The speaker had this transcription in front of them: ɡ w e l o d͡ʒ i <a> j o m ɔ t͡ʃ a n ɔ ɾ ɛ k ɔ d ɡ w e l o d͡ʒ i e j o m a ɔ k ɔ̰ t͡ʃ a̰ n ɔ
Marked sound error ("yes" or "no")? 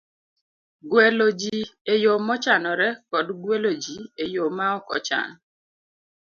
yes